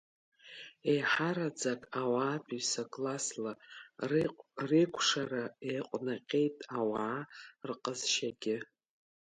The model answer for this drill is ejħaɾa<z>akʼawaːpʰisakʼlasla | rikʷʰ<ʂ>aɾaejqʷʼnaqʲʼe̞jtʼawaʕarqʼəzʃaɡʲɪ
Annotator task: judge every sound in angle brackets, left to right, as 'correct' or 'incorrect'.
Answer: incorrect, correct

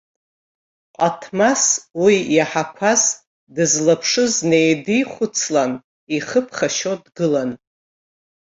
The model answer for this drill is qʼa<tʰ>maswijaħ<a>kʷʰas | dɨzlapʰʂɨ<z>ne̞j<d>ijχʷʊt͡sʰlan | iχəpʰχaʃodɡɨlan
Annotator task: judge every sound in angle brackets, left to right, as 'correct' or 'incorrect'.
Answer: correct, correct, correct, correct

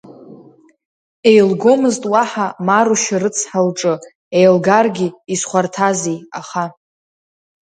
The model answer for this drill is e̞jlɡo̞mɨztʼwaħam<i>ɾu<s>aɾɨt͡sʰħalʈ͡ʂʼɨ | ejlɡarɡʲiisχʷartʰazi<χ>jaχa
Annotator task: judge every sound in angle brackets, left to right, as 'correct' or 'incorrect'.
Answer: incorrect, incorrect, incorrect

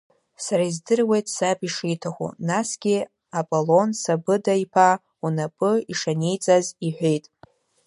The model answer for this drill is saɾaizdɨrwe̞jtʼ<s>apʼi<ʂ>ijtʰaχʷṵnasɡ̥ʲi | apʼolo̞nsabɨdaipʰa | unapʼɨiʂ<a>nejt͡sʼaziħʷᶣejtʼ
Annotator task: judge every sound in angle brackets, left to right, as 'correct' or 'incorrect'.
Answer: correct, correct, correct

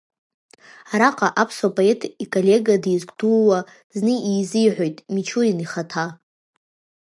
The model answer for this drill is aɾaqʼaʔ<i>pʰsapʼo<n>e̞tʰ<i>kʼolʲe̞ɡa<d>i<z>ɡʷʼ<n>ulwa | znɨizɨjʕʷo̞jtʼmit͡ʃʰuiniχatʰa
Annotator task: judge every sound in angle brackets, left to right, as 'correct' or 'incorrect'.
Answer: incorrect, incorrect, correct, correct, correct, incorrect

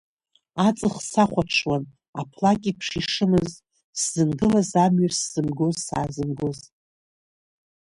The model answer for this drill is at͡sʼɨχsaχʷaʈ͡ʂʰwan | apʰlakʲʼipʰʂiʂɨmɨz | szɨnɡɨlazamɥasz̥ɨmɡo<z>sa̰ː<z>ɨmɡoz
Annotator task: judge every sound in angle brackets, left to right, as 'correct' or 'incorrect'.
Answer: correct, correct

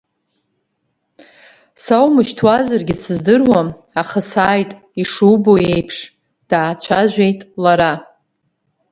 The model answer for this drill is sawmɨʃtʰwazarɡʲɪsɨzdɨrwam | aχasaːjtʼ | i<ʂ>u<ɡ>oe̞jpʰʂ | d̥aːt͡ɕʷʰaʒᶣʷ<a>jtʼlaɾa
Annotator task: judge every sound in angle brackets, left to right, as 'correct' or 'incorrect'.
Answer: correct, incorrect, incorrect

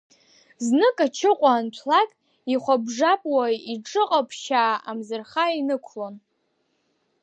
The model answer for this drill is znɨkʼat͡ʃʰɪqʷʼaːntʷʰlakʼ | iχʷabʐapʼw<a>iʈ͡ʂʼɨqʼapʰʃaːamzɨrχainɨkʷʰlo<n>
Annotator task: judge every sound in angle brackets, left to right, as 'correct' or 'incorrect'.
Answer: correct, correct

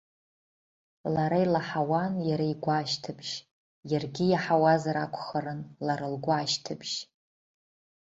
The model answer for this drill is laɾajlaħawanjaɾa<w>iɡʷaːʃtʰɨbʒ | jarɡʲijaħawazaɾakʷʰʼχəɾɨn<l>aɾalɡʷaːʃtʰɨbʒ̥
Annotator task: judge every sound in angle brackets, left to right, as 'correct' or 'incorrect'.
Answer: incorrect, correct

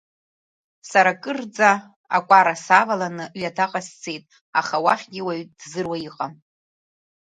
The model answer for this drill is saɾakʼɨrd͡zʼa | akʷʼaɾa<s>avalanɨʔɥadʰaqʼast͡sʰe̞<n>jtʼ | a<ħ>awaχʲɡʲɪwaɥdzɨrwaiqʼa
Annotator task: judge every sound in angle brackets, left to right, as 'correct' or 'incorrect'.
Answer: correct, incorrect, incorrect

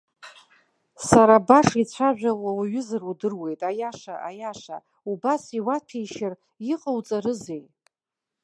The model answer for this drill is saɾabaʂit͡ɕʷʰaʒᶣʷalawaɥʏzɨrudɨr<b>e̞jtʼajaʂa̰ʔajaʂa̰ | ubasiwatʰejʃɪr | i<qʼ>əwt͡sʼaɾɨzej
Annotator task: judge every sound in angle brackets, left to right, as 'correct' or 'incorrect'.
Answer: incorrect, correct

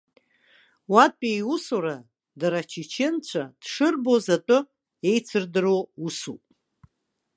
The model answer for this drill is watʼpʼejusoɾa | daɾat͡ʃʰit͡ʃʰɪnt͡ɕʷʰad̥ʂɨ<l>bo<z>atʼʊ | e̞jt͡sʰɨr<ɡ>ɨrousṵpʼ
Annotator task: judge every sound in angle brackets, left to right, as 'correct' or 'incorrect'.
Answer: incorrect, correct, incorrect

